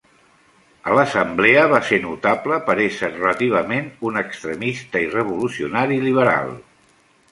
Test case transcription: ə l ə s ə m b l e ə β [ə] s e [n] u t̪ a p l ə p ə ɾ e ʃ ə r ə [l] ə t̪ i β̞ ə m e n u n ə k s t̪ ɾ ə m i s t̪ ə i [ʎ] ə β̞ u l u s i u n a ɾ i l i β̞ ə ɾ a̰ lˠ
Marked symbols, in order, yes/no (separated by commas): no, yes, yes, no